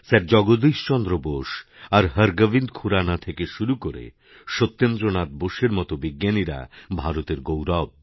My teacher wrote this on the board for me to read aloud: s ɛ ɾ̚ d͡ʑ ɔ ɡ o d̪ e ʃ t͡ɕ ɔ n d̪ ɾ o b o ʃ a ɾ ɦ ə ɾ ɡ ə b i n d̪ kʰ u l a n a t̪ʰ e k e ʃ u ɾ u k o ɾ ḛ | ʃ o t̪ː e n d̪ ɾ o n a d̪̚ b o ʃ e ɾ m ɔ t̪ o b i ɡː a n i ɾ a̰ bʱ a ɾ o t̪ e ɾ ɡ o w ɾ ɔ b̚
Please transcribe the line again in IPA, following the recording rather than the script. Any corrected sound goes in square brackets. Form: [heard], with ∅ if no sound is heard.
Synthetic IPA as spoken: s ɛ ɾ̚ d͡ʑ ɔ ɡ o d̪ [i] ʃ t͡ɕ ɔ n d̪ ɾ o b o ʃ a ɾ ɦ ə ɾ ɡ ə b i n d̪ kʰ u [ɾ] a n a t̪ʰ e k e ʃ u ɾ u k o ɾ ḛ | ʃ o t̪ː e n d̪ ɾ o n a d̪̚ b o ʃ e ɾ m ɔ t̪ o b i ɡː a n i ɾ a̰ bʱ a ɾ o t̪ e ɾ ɡ o w ɾ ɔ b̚